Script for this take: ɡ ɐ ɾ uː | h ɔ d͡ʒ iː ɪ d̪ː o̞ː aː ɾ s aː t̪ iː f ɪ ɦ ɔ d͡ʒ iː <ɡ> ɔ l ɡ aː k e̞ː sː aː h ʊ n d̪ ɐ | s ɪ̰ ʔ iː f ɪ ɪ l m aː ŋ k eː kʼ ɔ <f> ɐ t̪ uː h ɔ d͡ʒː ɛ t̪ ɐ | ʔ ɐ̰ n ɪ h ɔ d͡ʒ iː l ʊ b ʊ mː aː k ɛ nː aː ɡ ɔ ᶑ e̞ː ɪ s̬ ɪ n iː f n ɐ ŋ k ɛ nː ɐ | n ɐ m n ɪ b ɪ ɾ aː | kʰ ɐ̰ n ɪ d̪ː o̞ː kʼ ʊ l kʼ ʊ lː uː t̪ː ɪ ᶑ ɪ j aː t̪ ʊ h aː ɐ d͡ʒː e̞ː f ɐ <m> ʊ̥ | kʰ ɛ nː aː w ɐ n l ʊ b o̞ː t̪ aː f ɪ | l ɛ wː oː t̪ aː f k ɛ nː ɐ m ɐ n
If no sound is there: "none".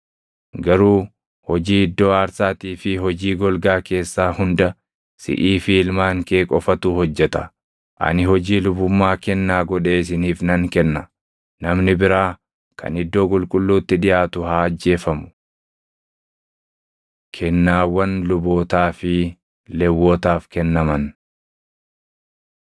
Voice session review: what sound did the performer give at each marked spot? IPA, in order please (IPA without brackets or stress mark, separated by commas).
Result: ɡ, f, m